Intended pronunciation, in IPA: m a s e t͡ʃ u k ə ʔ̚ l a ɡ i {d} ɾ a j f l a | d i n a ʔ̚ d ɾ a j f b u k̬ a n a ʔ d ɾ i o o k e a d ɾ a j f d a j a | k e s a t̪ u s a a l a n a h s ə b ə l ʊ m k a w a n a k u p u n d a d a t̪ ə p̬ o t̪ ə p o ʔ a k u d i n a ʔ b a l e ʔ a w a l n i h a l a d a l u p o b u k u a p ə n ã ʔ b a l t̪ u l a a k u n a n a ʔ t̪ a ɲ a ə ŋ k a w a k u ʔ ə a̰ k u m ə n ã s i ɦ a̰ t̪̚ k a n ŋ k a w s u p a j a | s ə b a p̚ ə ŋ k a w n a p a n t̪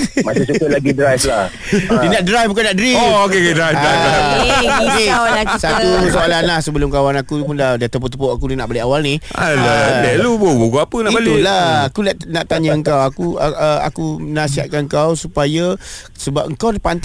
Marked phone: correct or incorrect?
correct